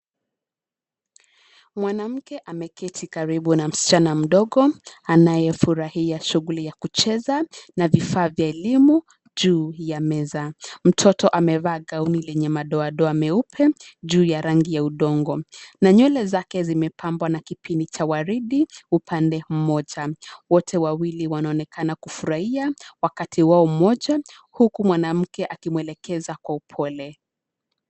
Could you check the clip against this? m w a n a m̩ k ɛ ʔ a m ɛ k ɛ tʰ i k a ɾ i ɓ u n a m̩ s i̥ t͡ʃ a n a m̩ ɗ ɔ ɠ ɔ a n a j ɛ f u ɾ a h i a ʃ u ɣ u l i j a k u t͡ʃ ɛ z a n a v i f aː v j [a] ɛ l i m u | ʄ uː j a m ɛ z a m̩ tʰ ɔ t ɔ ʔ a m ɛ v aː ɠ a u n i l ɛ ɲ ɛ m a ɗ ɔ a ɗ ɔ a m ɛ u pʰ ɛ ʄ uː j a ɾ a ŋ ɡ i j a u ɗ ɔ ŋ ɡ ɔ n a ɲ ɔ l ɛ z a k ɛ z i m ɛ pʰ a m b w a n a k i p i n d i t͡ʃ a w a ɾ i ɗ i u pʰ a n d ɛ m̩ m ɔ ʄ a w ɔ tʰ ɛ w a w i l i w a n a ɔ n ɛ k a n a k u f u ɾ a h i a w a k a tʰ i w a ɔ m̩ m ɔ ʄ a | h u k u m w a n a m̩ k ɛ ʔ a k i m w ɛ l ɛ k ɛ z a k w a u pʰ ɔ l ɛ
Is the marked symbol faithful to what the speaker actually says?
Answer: yes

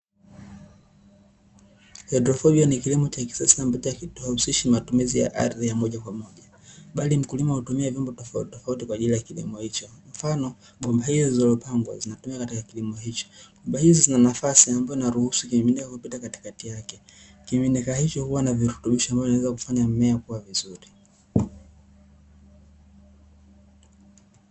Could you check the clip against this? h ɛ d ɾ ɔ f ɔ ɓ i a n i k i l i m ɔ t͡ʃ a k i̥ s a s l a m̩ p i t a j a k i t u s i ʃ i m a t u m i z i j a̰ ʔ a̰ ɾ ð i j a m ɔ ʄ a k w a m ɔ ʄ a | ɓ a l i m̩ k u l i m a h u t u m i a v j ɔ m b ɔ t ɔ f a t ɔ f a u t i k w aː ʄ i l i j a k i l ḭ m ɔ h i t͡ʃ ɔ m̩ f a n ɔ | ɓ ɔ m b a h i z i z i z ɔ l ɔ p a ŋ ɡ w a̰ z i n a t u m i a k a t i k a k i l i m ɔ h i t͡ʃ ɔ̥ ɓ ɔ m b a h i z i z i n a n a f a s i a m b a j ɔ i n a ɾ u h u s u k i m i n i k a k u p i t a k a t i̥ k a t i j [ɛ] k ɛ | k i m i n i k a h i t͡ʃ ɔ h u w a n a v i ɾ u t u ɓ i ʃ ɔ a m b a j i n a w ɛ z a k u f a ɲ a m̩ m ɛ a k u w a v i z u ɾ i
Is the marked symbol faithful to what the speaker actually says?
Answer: no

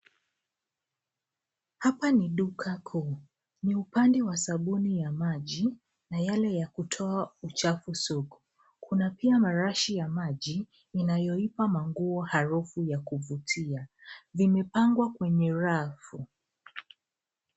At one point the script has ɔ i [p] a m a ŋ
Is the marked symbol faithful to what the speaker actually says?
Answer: yes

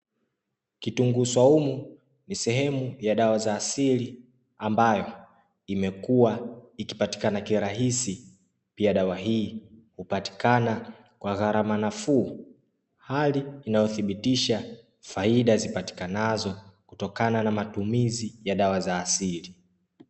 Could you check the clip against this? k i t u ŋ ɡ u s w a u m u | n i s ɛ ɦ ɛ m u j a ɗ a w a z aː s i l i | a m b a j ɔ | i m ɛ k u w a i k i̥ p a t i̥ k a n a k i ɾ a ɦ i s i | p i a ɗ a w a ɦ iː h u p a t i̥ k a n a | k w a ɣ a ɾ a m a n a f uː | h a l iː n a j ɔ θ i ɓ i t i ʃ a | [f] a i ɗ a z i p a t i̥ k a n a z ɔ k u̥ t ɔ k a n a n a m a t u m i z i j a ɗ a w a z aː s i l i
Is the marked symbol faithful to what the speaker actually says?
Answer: yes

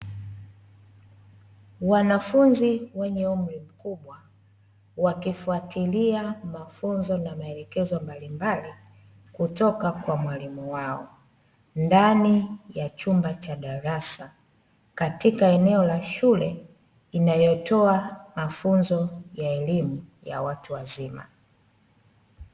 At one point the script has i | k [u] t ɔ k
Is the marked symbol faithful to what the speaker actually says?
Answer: yes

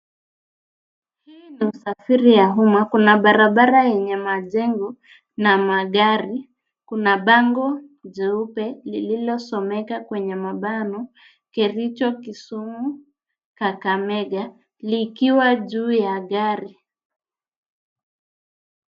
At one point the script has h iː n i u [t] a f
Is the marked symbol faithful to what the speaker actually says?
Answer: no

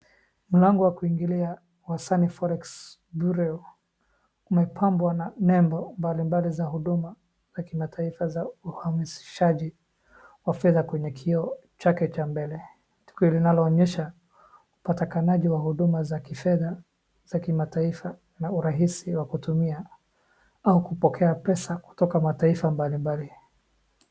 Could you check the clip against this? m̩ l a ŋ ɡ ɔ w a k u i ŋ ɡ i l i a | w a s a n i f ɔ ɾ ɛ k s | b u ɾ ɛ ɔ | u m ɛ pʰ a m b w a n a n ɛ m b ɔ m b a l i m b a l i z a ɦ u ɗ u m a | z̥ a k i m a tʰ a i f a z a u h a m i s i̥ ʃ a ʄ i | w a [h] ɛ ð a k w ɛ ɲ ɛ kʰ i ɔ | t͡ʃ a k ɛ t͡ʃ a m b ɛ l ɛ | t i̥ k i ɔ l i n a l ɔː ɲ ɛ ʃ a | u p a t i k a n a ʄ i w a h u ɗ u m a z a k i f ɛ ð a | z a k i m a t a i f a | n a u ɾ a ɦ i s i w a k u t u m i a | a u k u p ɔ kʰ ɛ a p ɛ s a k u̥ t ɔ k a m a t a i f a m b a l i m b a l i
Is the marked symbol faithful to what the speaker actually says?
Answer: no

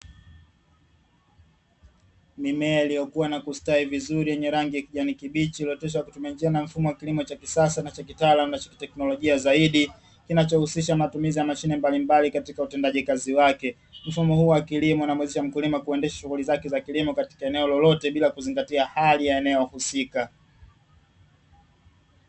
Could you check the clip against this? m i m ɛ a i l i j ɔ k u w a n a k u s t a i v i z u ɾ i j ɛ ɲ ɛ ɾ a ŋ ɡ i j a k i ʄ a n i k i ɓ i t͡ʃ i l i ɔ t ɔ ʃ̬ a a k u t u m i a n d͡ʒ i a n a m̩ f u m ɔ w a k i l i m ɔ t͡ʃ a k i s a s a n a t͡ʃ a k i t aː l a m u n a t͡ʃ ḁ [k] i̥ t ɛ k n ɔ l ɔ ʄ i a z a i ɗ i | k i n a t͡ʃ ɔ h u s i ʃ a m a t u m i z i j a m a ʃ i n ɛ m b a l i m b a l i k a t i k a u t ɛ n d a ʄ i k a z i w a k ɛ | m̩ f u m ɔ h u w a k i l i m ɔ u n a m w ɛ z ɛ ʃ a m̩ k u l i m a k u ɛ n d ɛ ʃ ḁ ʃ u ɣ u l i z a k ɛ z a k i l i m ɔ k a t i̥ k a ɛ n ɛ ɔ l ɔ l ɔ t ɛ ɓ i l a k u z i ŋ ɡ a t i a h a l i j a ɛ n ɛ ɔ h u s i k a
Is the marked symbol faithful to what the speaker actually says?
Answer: yes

